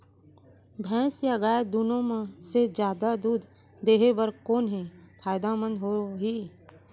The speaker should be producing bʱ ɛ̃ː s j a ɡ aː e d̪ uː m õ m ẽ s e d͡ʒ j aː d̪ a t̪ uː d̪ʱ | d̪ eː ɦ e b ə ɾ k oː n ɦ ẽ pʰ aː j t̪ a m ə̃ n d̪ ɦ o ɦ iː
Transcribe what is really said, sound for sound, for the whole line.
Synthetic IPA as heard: bʱ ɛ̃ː s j a ɡ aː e d̪ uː n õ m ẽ s e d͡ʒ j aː d̪ a d̪ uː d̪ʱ | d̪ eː ɦ e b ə ɾ k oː n ɦ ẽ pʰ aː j d̪ a m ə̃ n d̪ ɦ o ɦ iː